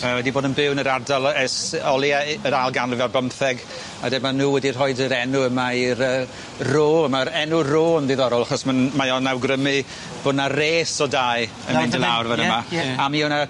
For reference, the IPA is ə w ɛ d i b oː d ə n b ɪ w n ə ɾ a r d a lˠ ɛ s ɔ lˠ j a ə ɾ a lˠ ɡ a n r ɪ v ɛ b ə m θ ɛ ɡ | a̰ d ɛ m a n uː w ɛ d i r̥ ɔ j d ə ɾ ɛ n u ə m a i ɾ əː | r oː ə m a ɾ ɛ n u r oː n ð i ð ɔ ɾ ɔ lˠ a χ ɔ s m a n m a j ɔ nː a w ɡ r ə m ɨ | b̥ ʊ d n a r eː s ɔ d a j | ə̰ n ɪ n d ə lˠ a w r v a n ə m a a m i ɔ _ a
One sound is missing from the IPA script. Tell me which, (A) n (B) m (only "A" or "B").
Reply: A